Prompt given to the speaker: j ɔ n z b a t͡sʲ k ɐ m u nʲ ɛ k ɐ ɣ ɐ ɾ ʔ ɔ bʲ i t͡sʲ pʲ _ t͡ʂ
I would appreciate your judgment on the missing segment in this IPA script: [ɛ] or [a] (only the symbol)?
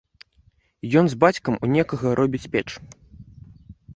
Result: ɛ